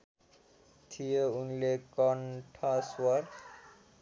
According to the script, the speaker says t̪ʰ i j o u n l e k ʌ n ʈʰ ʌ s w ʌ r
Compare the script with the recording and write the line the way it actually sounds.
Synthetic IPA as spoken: t̪ʰ i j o u n l e k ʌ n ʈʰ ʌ s w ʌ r